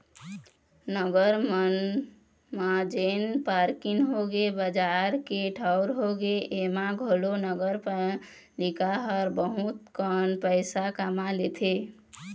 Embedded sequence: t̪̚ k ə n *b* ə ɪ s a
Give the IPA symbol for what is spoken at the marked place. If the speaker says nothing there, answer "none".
p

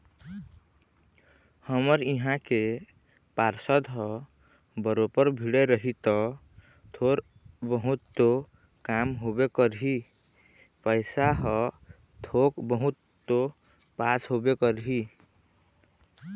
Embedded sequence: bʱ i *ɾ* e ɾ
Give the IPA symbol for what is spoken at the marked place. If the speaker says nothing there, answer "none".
ɽ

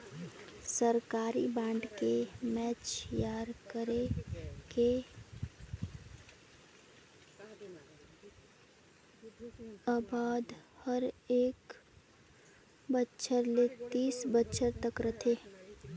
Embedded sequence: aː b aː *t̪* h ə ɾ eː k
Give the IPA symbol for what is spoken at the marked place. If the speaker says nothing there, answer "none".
d̪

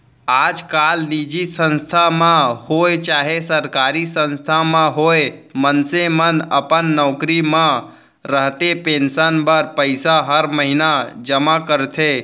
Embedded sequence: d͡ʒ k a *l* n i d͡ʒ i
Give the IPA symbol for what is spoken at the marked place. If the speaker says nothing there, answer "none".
l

